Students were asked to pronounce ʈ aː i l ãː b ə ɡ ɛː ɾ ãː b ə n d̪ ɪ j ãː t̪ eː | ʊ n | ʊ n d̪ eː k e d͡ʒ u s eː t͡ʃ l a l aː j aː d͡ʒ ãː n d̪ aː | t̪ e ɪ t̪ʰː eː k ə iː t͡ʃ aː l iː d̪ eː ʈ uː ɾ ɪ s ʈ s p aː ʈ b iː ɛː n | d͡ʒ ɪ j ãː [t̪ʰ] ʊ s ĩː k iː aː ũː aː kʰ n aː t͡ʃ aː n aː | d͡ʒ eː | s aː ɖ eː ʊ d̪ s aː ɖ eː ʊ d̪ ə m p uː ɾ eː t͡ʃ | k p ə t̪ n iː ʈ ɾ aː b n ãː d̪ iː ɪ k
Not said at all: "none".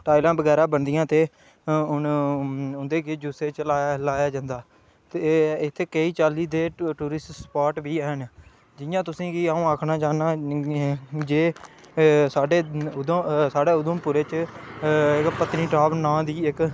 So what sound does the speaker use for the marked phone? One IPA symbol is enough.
t̪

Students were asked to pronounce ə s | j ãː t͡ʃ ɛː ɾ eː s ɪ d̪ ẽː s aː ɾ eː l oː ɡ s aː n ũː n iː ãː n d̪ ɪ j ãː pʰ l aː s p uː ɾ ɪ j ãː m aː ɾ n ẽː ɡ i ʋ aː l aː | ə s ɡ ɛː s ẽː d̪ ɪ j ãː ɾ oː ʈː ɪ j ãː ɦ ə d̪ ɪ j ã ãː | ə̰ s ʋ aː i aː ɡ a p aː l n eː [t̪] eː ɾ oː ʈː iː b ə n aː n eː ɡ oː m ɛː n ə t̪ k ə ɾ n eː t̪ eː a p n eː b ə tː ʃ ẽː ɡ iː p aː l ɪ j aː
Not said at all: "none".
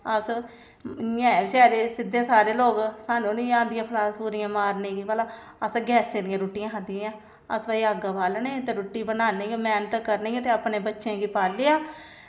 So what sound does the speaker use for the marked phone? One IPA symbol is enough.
t̪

